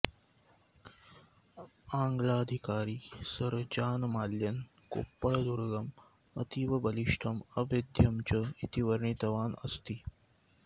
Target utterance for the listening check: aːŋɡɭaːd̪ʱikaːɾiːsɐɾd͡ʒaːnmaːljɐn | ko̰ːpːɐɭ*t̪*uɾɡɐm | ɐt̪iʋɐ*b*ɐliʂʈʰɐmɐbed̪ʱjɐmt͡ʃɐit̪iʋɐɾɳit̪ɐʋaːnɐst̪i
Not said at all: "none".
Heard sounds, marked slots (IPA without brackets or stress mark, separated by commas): d̪, b